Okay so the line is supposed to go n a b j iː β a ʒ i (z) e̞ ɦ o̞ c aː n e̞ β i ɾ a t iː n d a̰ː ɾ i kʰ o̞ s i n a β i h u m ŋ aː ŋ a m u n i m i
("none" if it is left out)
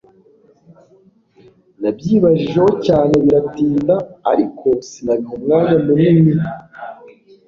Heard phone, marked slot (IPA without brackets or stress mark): ʒ